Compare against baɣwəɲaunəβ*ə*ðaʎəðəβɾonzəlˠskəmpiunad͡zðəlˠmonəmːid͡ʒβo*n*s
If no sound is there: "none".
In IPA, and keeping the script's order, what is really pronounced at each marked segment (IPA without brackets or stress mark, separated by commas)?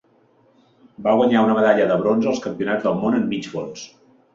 ə, n